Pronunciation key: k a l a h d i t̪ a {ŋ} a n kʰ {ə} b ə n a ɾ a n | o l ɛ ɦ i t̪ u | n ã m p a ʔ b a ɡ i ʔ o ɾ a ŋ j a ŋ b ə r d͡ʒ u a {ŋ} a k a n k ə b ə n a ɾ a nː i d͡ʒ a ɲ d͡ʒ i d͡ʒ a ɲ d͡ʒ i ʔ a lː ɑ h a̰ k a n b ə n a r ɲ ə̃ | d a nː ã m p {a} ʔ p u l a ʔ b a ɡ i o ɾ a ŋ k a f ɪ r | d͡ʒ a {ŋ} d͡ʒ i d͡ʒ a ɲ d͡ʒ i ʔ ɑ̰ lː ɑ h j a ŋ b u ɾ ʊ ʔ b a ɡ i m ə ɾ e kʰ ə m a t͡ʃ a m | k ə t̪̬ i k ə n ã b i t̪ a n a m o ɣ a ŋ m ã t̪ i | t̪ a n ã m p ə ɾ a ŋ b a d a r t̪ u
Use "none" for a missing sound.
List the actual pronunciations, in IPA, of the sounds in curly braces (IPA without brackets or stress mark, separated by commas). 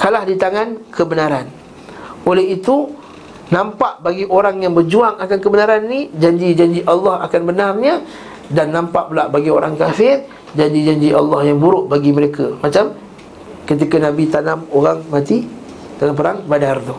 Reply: ŋ, ə, ŋ, a, ɲ